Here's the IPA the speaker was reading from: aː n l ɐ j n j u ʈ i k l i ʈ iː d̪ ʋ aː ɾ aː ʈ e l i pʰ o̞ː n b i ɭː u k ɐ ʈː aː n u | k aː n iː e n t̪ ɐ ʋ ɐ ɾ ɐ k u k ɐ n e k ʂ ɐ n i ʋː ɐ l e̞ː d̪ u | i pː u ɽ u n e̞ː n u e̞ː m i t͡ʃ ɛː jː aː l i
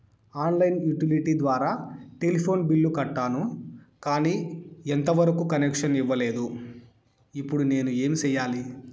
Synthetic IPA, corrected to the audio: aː n l ɐ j n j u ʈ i l i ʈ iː d̪ ʋ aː ɾ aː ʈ e l i pʰ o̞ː n b i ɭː u k ɐ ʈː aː n u | k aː n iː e n t̪ ɐ ʋ ɐ ɾ ɐ k u k ɐ n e k ʂ ɐ n i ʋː ɐ l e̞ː d̪ u | i pː u ɽ u n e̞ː n u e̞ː m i t͡ʃ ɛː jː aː l i